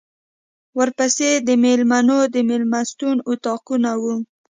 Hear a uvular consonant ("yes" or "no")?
yes